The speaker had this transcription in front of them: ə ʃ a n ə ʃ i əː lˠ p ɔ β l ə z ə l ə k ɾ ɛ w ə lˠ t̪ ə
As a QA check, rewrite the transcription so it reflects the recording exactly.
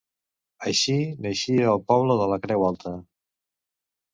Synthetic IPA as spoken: ə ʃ i n ə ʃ i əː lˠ p ɔ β l ə ð ə l ə k ɾ ɛ w a lˠ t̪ ə